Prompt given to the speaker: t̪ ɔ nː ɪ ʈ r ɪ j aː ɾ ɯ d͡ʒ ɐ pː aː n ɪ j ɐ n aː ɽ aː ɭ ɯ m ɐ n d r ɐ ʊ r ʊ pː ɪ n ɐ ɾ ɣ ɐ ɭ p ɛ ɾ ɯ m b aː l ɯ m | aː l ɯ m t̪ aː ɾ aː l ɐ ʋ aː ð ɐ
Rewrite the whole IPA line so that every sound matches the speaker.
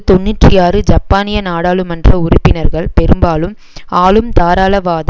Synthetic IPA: t̪ ɔ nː ɪ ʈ r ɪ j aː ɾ ɯ d͡ʒ ɐ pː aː n ɪ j ɐ n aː ɽ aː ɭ ɯ m ɐ n d r ɐ ʊ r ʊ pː ɪ n ɐ ɾ ɣ ɐ ɭ p ɛ ɾ ɯ m b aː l ɯ m | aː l ɯ m t̪ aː ɾ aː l ɐ ʋ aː ð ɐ

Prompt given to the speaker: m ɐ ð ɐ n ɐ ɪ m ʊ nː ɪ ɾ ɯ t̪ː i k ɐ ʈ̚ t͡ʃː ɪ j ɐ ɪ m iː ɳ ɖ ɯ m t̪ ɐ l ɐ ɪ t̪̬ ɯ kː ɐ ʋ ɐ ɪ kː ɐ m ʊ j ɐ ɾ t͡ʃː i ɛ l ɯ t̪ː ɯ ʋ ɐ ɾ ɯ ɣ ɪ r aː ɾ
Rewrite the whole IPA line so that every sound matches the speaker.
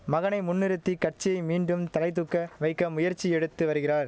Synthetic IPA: m ɐ ɣ ɐ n ɐ ɪ m ʊ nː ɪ ɾ ɯ t̪ː i k ɐ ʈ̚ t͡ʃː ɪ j ɐ ɪ m iː ɳ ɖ ɯ m t̪ ɐ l ɐ ɪ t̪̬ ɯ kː ɐ ʋ ɐ ɪ kː ɐ m ʊ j ɐ ɾ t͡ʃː i ɛ ɽ ɯ t̪ː ɯ ʋ ɐ ɾ ɯ ɣ ɪ r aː ɾ

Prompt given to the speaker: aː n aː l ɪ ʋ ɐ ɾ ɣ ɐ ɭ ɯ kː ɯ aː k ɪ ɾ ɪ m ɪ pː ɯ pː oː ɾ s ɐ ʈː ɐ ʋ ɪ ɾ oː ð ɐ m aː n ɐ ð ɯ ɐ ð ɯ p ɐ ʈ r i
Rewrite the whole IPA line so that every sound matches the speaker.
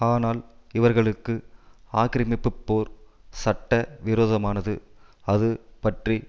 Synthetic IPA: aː n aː l ɪ ʋ ɐ ɾ ɣ ɐ ɭ ɯ kː ɯ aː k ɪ ɾ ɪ m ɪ pː ɯ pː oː ɾ s ɐ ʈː ɐ ʋ ɪ ɾ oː ð ɐ m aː n ɐ ð ɯ ɐ ð ɯ p ɐ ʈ r i

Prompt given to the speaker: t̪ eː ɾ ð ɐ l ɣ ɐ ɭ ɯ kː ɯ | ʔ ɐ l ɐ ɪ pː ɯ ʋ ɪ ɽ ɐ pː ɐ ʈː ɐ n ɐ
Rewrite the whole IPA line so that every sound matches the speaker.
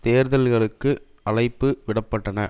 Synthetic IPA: t̪ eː ɾ ð ɐ l ɣ ɐ ɭ ɯ kː ɯ | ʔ ɐ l ɐ ɪ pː ɯ ʋ ɪ ɽ ɐ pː ɐ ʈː ɐ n ɐ

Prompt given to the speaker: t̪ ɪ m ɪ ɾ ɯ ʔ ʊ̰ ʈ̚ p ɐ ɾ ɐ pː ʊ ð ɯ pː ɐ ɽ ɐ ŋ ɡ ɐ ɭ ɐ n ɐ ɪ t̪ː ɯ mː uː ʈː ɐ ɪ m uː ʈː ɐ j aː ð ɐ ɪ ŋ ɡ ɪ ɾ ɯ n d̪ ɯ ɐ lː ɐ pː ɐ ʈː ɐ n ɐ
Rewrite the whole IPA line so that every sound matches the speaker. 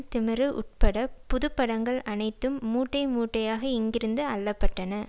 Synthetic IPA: t̪ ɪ m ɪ ɾ ɯ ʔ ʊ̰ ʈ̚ p ɐ ɽ ɐ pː ʊ ð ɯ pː ɐ ɽ ɐ ŋ ɡ ɐ ɭ ɐ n ɐ ɪ t̪ː ɯ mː uː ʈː ɐ ɪ m uː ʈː ɐ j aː ɣ ɐ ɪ ŋ ɡ ɪ ɾ ɯ n d̪ ɯ ɐ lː ɐ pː ɐ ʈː ɐ n ɐ

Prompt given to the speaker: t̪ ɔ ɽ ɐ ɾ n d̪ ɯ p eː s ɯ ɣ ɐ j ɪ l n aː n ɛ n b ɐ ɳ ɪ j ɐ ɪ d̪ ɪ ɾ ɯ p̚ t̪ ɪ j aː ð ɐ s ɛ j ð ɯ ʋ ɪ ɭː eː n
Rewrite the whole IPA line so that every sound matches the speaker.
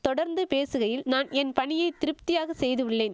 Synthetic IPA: t̪ ɔ ɽ ɐ ɾ n d̪ ɯ p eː s ɯ ɣ ɐ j ɪ l n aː n ɛ n p ɐ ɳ ɪ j ɐ ɪ t̪ ɪ ɾ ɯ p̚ t̪ ɪ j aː ɣ ɐ s ɛ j ð ɯ ʋ ɪ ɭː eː n

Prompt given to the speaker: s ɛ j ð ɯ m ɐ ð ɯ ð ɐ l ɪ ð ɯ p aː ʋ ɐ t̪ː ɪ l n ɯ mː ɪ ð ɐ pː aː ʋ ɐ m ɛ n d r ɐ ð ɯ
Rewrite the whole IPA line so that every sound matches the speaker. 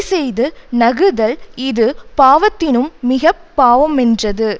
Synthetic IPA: s ɛ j ð ɯ n ɐ ɣ ɯ ð ɐ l ɪ ð ɯ p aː ʋ ɐ t̪ː ɪ n ɯ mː ɪ ɣ ɐ pː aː ʋ ɐ m ɛ n d r ɐ ð ɯ

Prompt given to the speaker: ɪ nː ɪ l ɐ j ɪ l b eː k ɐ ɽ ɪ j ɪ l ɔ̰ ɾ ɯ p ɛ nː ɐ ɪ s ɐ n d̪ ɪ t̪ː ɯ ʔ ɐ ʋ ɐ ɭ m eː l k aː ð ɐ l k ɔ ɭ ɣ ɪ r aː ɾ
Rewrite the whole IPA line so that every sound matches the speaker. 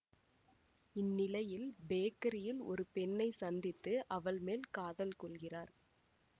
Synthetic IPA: ɪ nː ɪ l ɐ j ɪ l b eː k ɐ ɾ ɪ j ɪ l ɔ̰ ɾ ɯ p ɛ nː ɐ ɪ s ɐ n d̪ ɪ t̪ː ɯ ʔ ɐ ʋ ɐ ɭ m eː l k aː ð ɐ l k ɔ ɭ ɣ ɪ r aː ɾ

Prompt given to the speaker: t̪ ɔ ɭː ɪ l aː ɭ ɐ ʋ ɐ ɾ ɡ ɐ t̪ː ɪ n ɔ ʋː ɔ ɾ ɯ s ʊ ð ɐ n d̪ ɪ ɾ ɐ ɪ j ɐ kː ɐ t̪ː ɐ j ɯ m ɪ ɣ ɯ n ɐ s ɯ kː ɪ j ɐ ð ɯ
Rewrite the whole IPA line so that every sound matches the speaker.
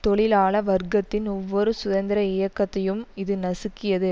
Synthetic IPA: t̪ ɔ ɭ ɪ l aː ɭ ɐ ʋ ɐ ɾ ɡ ɐ t̪ː ɪ n ɔ ʋː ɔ ɾ ɯ s ʊ ð ɐ n d̪ ɪ ɾ ɐ ɪ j ɐ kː ɐ t̪ː ɐ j ɯ m ɪ ð ɯ n ɐ s ɯ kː ɪ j ɐ ð ɯ

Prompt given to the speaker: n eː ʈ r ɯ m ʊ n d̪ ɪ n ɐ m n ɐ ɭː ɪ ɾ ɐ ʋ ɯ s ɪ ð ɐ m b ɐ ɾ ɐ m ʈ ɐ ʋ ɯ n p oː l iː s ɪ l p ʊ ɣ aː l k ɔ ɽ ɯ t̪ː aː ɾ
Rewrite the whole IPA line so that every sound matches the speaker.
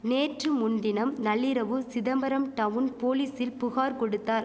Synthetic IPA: n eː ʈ r ɯ m ʊ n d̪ ɪ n ɐ m n ɐ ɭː ɪ ɾ ɐ ʋ ɯ s ɪ ð ɐ m b ɐ ɾ ɐ m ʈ ɐ ʋ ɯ n p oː l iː s ɪ l p ʊ ɣ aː ɾ k ɔ ɽ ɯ t̪ː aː ɾ

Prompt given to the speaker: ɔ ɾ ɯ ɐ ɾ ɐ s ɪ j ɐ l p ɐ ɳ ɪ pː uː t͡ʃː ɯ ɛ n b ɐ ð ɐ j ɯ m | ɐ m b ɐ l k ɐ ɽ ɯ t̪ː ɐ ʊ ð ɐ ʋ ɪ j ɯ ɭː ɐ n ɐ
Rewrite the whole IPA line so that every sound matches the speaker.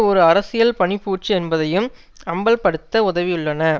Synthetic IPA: ɔ ɾ ɯ ɐ ɾ ɐ s ɪ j ɐ l p ɐ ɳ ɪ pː uː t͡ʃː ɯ ɛ n b ɐ ð ɐ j ɯ m | ɐ m b ɐ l p ɐ ɽ ɯ t̪ː ɐ ʊ ð ɐ ʋ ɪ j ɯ ɭː ɐ n ɐ

